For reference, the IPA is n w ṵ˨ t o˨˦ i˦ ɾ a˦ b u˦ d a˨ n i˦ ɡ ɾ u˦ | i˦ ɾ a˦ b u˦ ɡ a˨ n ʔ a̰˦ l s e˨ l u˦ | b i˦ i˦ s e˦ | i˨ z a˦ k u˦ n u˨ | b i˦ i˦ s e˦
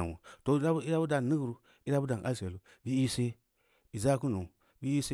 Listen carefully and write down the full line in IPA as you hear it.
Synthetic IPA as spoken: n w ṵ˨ t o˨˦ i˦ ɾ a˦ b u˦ d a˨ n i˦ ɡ ɾ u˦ | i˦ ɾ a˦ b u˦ d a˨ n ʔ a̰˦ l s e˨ l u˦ | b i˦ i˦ s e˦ | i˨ z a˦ k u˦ n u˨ | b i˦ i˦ s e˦

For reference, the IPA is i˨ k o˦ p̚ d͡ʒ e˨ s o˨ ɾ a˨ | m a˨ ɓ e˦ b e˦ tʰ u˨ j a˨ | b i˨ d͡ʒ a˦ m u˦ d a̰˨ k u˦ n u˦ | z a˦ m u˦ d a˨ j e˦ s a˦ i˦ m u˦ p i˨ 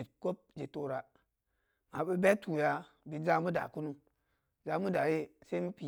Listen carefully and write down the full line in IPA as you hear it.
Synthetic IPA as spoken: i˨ k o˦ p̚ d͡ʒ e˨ t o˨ ɾ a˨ | m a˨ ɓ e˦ b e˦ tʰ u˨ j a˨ | b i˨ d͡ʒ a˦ m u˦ d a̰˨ k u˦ n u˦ | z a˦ m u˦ d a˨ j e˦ s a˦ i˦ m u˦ p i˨

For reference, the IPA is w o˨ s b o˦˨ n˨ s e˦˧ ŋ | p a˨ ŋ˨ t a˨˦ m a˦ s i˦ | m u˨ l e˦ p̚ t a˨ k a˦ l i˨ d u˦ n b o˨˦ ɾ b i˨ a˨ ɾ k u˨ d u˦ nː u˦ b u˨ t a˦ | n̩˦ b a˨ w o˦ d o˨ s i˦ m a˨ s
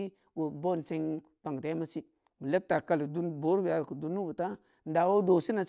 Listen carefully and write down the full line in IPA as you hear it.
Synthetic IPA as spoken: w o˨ b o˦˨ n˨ s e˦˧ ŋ | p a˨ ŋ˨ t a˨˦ m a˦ s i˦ | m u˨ l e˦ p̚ t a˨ k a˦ l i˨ d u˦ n b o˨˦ ɾ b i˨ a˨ ɾ k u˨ d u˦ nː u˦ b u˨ t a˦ | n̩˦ d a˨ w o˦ d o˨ s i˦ n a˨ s

